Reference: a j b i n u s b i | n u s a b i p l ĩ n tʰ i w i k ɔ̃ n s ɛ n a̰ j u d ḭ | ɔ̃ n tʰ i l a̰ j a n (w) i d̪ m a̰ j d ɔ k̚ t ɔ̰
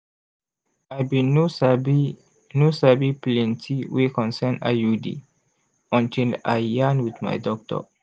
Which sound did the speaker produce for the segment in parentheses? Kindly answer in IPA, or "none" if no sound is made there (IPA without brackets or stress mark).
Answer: w